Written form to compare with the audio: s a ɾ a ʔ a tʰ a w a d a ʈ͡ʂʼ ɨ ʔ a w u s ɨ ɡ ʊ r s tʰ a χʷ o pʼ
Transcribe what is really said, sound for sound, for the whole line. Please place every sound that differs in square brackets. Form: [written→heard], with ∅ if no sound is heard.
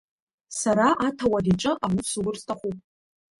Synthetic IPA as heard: s a ɾ a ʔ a tʰ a w a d [a→i] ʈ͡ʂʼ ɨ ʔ a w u s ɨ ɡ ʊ r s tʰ a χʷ [o→u] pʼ